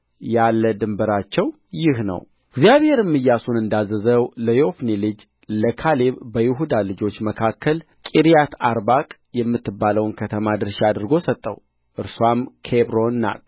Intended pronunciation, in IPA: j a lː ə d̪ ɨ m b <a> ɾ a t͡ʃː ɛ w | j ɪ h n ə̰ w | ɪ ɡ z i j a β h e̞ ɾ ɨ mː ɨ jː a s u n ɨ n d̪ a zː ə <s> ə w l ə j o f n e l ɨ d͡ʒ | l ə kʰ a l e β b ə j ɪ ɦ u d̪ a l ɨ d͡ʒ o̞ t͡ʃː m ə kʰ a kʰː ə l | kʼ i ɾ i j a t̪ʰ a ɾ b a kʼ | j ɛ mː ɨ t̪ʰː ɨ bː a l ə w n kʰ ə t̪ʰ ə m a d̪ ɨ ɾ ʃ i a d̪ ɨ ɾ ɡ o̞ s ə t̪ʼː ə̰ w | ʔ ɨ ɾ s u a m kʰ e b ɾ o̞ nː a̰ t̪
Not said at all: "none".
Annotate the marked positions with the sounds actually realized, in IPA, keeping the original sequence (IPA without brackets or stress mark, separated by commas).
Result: ə, z